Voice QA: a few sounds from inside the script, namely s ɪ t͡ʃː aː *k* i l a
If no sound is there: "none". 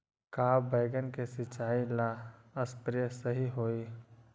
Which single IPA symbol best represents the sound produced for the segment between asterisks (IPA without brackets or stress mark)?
none